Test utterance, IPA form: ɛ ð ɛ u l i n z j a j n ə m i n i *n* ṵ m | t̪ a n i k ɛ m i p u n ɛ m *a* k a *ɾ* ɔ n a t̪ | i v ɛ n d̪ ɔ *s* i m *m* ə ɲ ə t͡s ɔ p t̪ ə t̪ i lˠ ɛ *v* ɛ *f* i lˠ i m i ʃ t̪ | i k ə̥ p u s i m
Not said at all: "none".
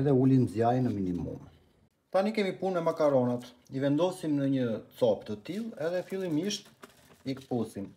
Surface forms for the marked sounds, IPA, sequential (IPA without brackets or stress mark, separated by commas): m, a, ɾ, s, n, ð, f